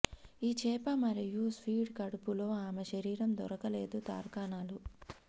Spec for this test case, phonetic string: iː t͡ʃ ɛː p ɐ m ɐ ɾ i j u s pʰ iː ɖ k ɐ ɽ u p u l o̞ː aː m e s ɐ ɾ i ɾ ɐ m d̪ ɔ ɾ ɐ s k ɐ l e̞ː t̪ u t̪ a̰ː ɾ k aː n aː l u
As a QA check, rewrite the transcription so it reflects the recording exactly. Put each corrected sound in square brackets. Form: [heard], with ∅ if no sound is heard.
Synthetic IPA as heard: iː t͡ʃ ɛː p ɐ m ɐ ɾ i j u s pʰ iː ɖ k ɐ ɽ u p u l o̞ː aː m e [ʃ] ɐ ɾ [iː] ɾ ɐ m d̪ ɔ ɾ ɐ [∅] k ɐ l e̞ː [d̪] u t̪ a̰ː ɾ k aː n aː l u